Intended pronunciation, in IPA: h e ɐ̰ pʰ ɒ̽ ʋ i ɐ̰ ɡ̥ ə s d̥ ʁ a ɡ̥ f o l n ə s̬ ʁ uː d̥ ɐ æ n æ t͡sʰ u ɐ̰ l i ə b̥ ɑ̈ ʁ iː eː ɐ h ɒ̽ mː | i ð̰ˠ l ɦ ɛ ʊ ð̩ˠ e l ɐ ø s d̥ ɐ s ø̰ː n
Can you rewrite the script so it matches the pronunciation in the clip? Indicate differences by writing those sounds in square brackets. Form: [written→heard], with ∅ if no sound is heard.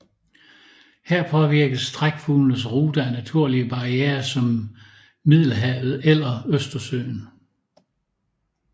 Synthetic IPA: h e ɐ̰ pʰ ɒ̽ ʋ i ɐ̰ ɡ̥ ə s d̥ ʁ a ɡ̥ f [o→u] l n ə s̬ ʁ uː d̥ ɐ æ n æ t͡sʰ u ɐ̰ l i ə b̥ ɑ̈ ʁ [iː→i] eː ɐ [h→s] ɒ̽ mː | i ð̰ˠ l ɦ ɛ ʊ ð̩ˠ e l ɐ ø s d̥ ɐ s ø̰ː n